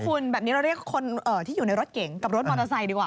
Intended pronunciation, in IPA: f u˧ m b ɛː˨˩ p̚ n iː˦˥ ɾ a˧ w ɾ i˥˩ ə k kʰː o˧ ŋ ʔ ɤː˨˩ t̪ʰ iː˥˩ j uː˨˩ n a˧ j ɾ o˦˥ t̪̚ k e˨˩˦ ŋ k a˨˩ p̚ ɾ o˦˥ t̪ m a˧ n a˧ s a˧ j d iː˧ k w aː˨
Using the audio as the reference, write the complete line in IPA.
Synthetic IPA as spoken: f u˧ n b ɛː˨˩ p̚ n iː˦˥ ɾ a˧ w ɾ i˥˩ ə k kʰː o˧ n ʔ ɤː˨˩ t̪ʰ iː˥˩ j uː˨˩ n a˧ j ɾ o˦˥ t̪̚ k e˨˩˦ ŋ k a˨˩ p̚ ɾ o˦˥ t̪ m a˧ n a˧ s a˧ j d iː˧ k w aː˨